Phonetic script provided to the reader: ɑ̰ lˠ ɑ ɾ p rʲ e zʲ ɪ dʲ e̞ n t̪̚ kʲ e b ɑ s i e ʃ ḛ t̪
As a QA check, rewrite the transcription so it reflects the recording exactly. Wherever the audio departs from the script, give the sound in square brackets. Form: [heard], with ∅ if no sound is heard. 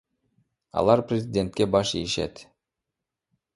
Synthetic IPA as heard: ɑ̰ lˠ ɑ ɾ p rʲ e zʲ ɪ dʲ e̞ n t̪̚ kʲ e b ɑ [ʃ] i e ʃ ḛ t̪